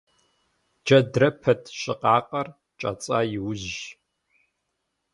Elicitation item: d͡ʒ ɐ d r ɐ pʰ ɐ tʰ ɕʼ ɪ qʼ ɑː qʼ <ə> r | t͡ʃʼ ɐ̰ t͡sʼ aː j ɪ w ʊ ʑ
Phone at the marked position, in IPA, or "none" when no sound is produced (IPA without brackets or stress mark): ɐ